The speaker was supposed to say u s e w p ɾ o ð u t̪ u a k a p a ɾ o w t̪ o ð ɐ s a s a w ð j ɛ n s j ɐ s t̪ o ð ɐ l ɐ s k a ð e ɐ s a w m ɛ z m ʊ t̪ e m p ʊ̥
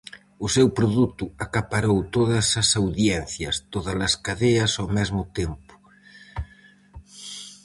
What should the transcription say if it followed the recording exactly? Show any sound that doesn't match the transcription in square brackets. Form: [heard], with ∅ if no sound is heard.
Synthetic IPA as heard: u s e w p ɾ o ð u t̪ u a k a p a ɾ o w t̪ o ð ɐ s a s a w ð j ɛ n [θ] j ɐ s t̪ o ð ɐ l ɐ s k a ð e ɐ s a w m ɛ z m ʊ t̪ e m p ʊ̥